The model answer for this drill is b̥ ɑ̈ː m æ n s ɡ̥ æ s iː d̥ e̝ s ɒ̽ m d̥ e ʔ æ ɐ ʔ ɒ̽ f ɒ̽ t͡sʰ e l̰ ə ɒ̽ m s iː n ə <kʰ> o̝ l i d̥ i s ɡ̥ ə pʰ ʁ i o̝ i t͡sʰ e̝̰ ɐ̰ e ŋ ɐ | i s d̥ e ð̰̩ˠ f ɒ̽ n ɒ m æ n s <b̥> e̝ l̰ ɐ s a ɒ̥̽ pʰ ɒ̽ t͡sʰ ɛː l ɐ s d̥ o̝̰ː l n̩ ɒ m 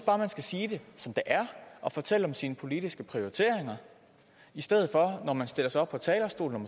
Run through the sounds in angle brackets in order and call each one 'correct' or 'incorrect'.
incorrect, incorrect

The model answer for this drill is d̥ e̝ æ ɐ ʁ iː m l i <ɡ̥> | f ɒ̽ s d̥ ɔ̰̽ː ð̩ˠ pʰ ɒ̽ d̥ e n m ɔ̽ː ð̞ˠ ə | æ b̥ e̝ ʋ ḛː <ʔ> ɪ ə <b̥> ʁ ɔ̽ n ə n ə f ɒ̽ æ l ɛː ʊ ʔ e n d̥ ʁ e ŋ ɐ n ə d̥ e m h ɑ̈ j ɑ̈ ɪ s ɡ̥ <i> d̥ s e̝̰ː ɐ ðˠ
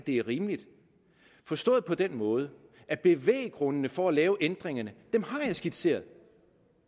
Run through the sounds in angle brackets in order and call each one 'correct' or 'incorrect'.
incorrect, incorrect, incorrect, correct

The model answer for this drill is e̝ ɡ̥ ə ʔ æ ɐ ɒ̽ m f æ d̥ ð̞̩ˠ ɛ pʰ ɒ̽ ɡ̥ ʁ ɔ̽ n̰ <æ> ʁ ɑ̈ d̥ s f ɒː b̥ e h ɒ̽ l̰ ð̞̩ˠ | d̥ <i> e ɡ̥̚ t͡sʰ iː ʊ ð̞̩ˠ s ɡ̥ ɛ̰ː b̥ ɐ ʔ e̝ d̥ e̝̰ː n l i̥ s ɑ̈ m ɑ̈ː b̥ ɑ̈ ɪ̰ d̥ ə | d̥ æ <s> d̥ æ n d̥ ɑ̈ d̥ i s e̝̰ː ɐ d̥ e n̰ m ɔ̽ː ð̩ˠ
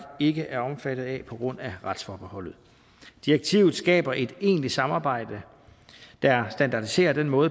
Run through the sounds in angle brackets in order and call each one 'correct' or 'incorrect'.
correct, correct, correct

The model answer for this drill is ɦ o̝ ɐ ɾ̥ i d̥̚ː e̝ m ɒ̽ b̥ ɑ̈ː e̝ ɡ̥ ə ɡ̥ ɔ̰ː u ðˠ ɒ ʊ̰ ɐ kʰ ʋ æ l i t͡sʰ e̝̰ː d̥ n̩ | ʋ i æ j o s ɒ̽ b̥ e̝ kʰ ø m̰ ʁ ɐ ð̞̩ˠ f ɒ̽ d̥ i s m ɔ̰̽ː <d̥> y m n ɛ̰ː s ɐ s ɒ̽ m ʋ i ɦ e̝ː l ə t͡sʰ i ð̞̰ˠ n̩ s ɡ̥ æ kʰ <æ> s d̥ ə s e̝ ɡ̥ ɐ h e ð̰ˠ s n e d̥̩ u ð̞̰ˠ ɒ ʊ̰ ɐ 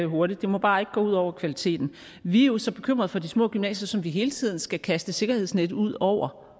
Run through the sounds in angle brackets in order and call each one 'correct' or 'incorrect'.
incorrect, correct

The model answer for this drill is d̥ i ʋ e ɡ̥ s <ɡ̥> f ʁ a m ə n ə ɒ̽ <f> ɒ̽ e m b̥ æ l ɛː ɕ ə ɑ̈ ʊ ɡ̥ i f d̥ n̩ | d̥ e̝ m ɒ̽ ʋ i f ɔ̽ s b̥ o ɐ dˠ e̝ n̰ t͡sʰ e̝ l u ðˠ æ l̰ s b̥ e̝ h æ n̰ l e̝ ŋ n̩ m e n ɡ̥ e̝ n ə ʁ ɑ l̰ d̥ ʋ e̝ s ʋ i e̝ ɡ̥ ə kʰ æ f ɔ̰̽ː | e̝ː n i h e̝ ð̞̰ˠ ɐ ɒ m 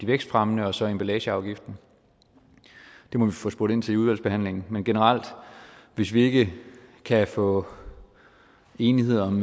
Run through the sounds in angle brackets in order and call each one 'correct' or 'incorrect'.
incorrect, incorrect

